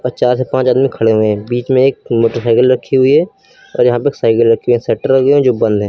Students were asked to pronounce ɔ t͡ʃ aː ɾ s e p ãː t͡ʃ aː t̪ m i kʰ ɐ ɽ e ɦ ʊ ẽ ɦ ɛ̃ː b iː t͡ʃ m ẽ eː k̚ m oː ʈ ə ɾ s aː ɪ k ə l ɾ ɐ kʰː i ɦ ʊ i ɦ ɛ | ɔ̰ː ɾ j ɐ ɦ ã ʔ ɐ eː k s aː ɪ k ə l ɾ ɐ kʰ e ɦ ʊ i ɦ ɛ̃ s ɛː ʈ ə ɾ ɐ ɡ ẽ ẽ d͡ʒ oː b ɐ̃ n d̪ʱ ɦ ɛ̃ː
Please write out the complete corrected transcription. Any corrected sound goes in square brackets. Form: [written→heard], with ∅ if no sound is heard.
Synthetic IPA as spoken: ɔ t͡ʃ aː ɾ s e p ãː t͡ʃ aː [t̪→d̪] m i kʰ ɐ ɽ e ɦ ʊ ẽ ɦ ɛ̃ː b iː t͡ʃ m ẽ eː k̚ m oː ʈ ə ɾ s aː ɪ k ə l ɾ ɐ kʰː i ɦ ʊ i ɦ ɛ | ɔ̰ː ɾ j ɐ ɦ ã [ʔ→p] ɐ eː k s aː ɪ k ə l ɾ ɐ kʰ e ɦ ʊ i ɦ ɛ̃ s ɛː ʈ ə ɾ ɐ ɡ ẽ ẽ d͡ʒ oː b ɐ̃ n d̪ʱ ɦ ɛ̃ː